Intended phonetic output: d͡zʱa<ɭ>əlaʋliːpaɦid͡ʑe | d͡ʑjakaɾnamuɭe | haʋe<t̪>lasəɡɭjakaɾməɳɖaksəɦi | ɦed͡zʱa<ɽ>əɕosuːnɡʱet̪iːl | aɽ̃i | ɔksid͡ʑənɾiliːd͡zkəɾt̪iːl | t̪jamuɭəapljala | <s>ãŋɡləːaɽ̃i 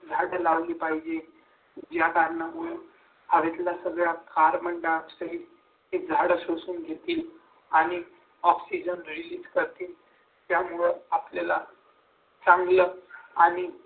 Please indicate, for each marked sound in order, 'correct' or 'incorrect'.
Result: incorrect, correct, correct, incorrect

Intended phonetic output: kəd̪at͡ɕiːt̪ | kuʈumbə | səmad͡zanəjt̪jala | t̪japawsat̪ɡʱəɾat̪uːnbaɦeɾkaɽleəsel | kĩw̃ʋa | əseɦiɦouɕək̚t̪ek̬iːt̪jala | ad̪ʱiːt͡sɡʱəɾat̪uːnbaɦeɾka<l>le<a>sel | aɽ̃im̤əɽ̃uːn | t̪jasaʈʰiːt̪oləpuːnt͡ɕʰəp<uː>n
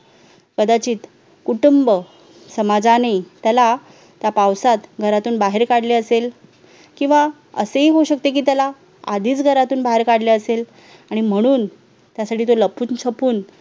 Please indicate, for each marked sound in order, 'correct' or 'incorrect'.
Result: incorrect, incorrect, correct

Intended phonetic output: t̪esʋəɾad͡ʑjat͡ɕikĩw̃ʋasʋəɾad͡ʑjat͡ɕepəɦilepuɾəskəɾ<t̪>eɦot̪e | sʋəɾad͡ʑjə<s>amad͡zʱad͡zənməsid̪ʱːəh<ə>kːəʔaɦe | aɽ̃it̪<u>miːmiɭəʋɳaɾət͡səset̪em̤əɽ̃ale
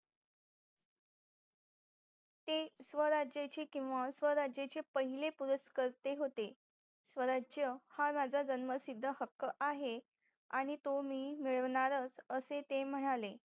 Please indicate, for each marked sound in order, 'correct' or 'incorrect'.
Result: correct, incorrect, correct, incorrect

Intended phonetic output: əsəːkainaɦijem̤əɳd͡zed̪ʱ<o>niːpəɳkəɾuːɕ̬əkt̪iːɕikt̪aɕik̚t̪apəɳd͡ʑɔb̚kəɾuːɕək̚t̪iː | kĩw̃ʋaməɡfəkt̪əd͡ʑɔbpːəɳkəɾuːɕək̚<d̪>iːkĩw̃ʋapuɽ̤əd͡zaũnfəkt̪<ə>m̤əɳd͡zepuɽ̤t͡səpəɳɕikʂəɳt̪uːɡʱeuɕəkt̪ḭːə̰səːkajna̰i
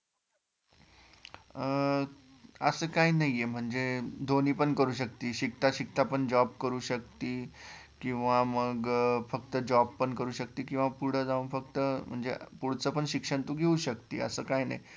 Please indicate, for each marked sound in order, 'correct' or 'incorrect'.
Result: correct, incorrect, correct

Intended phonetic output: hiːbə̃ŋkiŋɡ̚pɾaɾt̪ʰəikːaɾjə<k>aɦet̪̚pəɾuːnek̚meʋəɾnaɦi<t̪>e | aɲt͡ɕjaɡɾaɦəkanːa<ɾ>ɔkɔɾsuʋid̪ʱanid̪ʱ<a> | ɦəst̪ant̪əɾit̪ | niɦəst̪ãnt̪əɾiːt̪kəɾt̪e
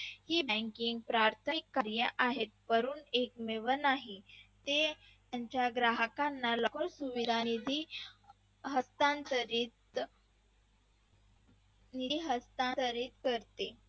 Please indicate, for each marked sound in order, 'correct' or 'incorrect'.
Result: incorrect, correct, incorrect, incorrect

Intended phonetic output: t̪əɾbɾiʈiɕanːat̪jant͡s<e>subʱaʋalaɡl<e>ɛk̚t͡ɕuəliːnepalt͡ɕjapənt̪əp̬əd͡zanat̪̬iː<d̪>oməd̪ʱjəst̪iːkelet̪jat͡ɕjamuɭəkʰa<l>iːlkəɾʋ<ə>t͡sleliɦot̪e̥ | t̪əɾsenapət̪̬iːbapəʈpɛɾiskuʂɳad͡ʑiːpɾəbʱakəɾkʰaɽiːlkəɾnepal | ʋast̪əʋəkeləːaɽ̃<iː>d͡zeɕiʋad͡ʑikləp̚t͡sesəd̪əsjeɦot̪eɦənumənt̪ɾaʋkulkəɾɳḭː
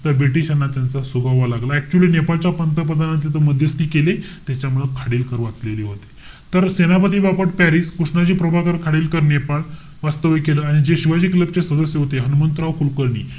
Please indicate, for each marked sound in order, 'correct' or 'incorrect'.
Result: incorrect, incorrect, incorrect, incorrect, incorrect, incorrect

